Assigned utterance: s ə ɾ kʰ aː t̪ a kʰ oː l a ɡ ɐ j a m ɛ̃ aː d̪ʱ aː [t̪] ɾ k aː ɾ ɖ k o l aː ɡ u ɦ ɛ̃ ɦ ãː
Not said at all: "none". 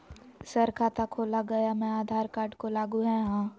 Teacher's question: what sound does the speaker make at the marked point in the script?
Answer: none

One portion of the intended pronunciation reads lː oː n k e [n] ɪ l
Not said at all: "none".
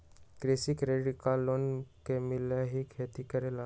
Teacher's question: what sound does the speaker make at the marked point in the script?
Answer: m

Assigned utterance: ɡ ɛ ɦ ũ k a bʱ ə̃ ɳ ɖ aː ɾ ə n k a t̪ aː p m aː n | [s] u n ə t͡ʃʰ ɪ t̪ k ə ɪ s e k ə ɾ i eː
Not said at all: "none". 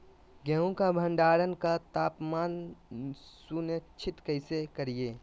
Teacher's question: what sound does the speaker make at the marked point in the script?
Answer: s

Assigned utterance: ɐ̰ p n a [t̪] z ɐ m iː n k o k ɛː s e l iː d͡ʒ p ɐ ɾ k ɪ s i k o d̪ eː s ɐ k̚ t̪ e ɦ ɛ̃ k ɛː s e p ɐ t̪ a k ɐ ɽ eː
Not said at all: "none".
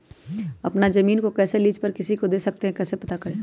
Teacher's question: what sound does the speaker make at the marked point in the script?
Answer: none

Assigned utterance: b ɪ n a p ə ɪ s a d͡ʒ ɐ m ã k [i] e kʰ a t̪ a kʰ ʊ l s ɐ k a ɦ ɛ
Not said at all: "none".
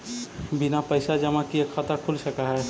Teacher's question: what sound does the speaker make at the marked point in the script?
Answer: i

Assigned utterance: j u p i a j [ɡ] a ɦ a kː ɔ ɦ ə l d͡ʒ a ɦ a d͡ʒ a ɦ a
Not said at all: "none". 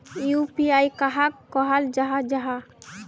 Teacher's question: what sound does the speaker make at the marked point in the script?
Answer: k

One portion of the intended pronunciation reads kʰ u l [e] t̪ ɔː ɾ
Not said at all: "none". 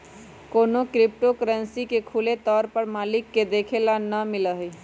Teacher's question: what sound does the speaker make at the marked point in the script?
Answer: e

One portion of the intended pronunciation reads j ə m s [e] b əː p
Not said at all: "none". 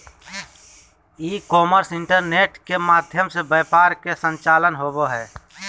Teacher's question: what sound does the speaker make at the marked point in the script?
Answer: e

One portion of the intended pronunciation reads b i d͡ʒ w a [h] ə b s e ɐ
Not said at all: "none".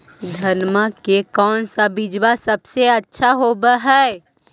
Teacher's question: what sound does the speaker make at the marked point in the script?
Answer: s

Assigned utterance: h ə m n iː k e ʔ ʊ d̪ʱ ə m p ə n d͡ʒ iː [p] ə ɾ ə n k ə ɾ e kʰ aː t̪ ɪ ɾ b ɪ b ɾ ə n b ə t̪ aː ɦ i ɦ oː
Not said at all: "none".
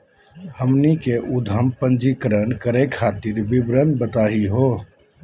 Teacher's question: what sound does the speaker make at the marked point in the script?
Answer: k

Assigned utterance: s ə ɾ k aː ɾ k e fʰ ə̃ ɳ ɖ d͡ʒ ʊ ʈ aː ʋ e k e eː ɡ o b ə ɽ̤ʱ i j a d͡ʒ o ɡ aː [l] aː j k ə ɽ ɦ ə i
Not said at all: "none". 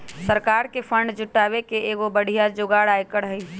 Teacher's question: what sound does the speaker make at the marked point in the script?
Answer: ɽ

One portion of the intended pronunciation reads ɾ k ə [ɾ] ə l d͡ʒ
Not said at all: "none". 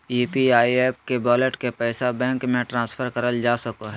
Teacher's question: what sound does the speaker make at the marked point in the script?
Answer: ɾ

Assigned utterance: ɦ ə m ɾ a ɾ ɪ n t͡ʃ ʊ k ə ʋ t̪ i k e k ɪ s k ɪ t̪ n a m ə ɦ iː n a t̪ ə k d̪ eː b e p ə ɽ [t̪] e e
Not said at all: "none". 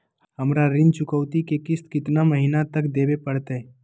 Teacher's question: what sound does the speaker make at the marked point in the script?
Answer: t̪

